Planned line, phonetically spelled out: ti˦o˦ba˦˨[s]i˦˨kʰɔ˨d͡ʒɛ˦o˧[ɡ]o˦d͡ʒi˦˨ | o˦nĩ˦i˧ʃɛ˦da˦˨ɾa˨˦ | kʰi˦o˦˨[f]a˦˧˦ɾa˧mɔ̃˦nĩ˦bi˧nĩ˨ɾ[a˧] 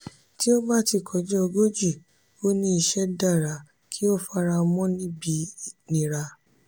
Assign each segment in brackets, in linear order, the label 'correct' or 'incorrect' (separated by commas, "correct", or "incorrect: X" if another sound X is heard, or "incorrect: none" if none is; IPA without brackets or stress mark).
incorrect: t, correct, correct, correct